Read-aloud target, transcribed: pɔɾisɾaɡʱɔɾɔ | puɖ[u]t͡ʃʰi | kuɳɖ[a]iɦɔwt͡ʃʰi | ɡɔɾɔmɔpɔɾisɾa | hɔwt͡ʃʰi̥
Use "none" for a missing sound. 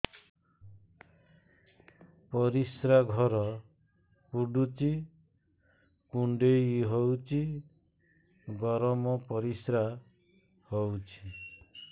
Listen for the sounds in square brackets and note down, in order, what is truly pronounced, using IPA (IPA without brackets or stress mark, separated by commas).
u, e